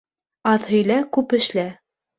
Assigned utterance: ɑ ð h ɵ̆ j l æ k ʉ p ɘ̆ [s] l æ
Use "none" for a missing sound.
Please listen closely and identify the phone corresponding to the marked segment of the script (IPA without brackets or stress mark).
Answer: ʃ